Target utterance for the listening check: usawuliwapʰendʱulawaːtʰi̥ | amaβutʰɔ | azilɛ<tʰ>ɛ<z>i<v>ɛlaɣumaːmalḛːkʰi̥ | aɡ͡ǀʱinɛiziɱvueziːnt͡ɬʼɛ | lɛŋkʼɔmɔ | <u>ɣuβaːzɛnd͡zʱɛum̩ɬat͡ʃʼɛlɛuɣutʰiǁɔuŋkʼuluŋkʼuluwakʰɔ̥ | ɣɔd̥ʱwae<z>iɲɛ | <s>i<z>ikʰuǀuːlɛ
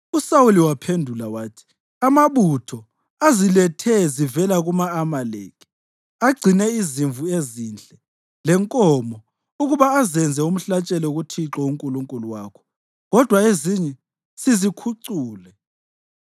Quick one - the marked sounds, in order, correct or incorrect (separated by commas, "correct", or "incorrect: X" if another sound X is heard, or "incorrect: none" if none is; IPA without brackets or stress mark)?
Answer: correct, correct, correct, correct, correct, correct, correct